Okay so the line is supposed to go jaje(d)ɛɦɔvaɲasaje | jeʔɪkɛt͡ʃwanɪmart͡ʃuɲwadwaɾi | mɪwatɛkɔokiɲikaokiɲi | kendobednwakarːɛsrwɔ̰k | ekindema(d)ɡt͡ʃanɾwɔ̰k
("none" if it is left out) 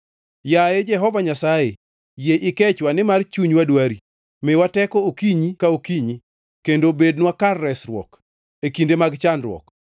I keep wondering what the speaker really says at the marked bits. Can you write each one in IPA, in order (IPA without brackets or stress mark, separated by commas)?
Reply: d͡ʒ, none